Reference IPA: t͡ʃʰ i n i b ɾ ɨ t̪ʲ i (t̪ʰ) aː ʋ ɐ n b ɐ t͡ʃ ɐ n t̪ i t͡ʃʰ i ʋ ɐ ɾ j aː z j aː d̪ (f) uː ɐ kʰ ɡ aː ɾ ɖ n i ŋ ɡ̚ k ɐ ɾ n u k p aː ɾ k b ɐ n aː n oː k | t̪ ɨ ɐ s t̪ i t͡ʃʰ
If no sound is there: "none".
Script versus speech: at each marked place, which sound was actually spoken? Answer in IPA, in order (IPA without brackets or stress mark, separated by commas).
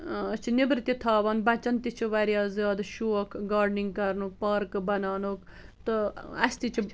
t̪ʰ, ʃ